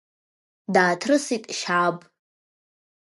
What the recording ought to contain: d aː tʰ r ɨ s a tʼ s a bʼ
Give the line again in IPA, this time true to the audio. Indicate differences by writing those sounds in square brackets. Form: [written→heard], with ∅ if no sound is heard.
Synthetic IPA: d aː tʰ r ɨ s [a→i] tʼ [s→ʃ] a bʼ